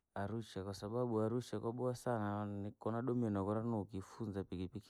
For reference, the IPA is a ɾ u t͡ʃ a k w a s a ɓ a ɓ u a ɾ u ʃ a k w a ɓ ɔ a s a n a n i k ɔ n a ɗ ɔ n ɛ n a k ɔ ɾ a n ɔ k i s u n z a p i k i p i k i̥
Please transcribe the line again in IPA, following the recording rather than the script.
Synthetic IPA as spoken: a ɾ u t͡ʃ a k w a s a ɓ a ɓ u a ɾ u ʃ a k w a ɓ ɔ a s a n a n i k ɔ n a ɗ ɔ m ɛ n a k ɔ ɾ a n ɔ k i f u n z a p i k i p i k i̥

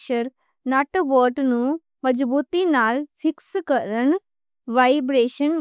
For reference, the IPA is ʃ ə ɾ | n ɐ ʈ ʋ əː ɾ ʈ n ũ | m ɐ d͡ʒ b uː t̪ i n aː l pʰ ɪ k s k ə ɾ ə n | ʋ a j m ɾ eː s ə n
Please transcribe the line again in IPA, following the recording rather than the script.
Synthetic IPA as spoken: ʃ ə ɾ | n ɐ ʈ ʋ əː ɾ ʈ n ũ | m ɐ d͡ʒ b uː t̪ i n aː l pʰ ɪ k s k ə ɾ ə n | ʋ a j b ɾ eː ʃ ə n

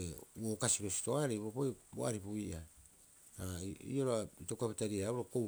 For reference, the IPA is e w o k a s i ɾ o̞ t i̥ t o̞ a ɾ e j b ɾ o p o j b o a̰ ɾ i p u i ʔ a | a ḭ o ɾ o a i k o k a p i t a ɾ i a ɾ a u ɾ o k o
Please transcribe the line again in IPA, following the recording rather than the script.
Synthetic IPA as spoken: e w o k a s i ɾ o̞ s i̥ t o̞ a ɾ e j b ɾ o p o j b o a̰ ɾ i p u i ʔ a | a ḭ o ɾ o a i t o k a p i t a ɾ i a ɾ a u ɾ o k o

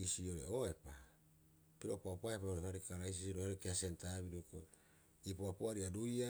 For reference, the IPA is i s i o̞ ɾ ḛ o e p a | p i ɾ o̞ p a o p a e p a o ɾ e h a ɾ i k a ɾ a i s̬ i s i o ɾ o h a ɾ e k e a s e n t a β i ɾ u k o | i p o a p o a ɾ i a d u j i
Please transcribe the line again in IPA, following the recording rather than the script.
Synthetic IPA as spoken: i s i o̞ ɾ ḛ o e p a | p i ɾ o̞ p a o p a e p a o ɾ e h a ɾ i k a ɾ a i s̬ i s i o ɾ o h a ɾ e k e a s e n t a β i ɾ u k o | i p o a p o a ɾ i a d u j a

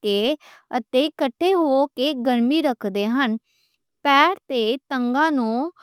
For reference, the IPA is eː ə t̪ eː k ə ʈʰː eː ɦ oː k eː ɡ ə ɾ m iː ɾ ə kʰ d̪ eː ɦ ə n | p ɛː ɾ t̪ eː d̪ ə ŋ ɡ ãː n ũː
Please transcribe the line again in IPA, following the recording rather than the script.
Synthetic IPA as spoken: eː ə t̪ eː k ə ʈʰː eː ɦ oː k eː ɡ ə ɾ m iː ɾ ə kʰ d̪ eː ɦ ə n | p ɛː ɾ t̪ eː t̪ ə ŋ ɡ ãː n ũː

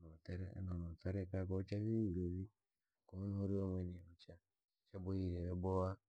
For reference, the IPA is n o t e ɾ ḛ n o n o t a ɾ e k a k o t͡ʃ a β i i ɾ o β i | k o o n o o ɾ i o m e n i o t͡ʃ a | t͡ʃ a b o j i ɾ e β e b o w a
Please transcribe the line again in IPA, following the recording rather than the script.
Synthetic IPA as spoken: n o t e ɾ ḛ n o n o t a ɾ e k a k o t͡ʃ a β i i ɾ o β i | k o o n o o ɾ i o m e n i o t͡ʃ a | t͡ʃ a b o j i ɾ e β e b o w a

